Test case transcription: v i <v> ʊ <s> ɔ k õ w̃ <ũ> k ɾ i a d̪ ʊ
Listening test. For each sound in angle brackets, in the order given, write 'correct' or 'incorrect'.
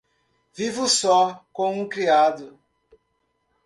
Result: correct, correct, correct

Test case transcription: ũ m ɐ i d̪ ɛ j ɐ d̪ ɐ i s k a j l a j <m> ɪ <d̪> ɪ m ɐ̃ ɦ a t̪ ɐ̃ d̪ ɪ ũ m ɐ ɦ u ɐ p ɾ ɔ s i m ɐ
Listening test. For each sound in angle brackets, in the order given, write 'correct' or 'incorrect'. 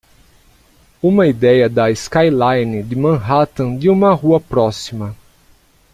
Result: incorrect, correct

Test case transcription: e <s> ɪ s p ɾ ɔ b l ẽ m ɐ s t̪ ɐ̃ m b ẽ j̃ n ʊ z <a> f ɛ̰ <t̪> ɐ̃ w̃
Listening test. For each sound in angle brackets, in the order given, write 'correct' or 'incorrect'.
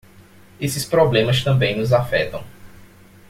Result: correct, correct, correct

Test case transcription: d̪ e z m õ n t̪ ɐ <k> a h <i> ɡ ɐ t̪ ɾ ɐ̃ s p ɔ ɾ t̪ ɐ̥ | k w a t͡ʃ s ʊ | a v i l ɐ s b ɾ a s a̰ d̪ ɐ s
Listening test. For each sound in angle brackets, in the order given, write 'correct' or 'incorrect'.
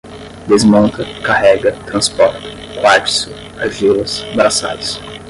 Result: correct, incorrect

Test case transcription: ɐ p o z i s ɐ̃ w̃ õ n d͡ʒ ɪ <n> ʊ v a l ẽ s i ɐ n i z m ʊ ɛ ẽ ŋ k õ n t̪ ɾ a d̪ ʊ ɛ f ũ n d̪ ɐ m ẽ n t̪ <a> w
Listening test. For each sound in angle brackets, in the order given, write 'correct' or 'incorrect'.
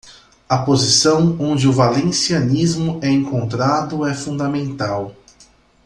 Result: incorrect, correct

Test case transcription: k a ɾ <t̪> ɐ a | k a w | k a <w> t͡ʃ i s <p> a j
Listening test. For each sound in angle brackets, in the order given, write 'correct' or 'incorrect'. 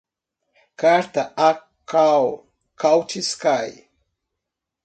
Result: correct, correct, incorrect

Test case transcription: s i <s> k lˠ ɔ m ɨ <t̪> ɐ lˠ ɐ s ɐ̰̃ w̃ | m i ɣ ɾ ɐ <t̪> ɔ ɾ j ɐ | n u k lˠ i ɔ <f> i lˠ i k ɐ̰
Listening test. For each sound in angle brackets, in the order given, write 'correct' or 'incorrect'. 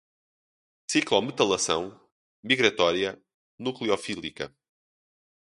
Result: incorrect, correct, correct, correct

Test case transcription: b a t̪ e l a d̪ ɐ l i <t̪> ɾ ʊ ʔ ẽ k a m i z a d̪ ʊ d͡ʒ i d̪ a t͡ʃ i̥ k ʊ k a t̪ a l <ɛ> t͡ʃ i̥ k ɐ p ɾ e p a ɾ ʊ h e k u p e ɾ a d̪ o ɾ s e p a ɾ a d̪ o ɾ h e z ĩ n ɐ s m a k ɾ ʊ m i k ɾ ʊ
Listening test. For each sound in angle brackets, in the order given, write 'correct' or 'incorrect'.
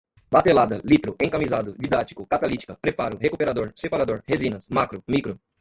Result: correct, incorrect

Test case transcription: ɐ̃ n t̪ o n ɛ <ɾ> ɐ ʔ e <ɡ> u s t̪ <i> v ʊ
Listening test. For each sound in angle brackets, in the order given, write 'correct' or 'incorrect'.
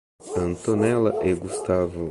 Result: incorrect, correct, incorrect

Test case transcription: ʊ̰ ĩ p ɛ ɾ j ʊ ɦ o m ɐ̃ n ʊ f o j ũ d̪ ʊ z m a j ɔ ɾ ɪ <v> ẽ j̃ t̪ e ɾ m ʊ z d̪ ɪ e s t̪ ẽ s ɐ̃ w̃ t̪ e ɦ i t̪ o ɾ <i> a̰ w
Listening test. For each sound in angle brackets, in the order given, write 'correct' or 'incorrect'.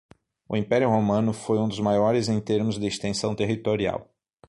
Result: incorrect, correct

